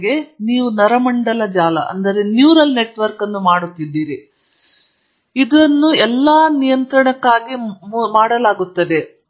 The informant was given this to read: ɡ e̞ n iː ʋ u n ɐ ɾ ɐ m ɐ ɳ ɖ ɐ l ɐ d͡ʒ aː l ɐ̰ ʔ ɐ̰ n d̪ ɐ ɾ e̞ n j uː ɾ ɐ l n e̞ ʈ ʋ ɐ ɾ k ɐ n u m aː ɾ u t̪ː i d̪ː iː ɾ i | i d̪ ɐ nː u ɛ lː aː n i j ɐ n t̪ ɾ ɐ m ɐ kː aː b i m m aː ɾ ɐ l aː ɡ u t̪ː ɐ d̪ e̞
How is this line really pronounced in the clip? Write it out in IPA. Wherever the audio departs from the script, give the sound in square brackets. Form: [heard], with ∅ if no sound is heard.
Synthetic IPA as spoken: ɡ e̞ n iː ʋ u n ɐ ɾ ɐ m ɐ ɳ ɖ ɐ l ɐ d͡ʒ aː l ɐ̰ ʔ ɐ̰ n d̪ ɐ ɾ e̞ n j uː ɾ ɐ l n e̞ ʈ ʋ ɐ ɾ k ɐ [nː] u m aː [ɽ] u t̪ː i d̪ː iː ɾ i | i d̪ ɐ nː u ɛ lː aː n i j ɐ n t̪ ɾ ɐ [ɳ] ɐ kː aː [ɡ] i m m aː [ɽ] ɐ l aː ɡ u t̪ː ɐ d̪ e̞